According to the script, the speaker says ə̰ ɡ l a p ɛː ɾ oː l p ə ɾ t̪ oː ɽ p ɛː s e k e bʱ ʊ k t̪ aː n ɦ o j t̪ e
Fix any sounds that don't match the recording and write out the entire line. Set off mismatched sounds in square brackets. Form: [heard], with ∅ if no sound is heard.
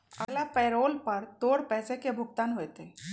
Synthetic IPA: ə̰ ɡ l a p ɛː ɾ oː l p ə ɾ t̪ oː ɽ p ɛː s e k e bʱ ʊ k t̪ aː n ɦ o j t̪ e